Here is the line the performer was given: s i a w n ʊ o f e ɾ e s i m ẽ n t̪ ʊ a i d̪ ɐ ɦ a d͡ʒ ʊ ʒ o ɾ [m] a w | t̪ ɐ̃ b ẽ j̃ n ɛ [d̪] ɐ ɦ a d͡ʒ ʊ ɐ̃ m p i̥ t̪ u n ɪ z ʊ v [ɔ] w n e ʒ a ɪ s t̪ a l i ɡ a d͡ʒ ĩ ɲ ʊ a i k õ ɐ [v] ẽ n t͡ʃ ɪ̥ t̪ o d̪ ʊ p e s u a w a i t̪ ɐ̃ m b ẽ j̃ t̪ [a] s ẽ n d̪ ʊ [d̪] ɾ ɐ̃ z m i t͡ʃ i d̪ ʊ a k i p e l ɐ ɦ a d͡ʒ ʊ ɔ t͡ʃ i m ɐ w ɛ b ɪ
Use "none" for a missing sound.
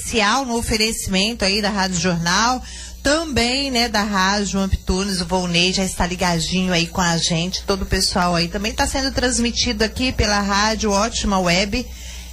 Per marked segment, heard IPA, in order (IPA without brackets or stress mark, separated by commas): n, d̪, o, ʒ, a, t̪